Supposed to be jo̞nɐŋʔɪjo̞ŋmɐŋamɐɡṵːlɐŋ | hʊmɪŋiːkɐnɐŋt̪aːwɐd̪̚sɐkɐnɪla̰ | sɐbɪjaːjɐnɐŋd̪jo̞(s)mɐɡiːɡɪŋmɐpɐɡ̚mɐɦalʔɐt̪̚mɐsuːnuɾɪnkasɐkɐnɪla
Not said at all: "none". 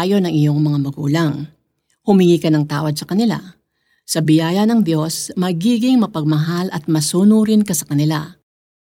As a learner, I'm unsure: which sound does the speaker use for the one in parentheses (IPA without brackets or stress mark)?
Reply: s